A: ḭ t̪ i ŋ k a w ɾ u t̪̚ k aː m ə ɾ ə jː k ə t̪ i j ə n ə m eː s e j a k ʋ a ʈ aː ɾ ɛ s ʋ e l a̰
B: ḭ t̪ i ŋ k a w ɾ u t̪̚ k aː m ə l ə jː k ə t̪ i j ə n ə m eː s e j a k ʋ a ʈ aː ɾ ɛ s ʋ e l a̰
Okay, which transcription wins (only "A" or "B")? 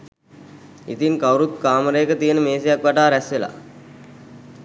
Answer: A